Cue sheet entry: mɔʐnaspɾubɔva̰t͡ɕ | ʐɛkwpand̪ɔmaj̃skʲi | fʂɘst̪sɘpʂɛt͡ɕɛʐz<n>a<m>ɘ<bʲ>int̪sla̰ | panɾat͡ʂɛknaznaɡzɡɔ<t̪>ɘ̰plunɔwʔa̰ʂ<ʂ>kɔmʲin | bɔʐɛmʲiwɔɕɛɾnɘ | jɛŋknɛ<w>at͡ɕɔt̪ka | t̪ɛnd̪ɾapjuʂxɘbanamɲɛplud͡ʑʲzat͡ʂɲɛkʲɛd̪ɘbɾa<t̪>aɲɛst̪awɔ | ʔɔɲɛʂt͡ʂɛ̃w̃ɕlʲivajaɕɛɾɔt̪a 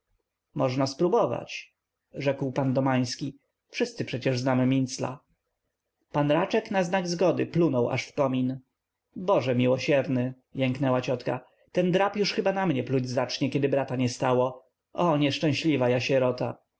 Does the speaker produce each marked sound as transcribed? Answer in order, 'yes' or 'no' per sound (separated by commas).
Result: yes, yes, no, no, no, yes, yes